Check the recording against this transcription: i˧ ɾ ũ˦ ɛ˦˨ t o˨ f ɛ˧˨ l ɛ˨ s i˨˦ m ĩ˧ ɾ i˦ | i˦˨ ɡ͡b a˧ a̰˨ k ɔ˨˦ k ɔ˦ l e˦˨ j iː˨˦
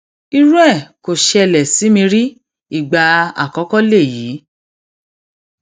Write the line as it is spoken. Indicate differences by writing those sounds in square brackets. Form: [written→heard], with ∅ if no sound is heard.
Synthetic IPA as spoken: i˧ ɾ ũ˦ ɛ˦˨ [t→k] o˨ [f→ʃ] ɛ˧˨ l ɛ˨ s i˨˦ m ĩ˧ ɾ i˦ | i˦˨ ɡ͡b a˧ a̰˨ k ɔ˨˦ k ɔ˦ l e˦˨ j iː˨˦